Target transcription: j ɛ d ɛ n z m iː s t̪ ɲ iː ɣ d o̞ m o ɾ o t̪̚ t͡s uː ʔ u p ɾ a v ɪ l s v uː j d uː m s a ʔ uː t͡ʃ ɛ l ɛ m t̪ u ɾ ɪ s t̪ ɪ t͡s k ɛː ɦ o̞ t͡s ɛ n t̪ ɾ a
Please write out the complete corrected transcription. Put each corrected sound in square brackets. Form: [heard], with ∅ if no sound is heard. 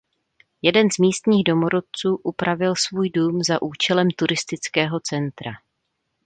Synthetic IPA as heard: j ɛ d ɛ n z m iː s t̪ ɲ iː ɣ d o̞ m o ɾ o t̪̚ t͡s uː ʔ u p ɾ a v ɪ l s v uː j d uː m [z] a ʔ uː t͡ʃ ɛ l ɛ m t̪ u ɾ ɪ s t̪ ɪ t͡s k ɛː ɦ o̞ t͡s ɛ n t̪ ɾ a